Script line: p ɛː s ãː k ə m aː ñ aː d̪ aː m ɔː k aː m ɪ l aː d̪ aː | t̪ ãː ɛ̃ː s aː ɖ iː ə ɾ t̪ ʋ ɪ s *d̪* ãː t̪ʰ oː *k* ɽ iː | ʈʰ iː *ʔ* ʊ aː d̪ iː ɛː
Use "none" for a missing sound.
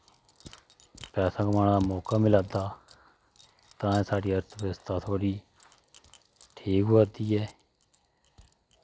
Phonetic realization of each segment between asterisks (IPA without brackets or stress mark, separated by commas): t̪, none, k